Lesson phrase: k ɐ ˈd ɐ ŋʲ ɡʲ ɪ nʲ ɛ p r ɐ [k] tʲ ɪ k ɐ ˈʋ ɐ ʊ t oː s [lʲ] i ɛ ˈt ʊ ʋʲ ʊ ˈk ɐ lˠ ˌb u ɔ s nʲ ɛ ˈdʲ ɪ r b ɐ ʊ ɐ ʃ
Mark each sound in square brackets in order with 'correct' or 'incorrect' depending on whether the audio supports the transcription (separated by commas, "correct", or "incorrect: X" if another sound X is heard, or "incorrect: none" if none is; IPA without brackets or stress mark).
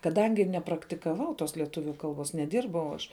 correct, correct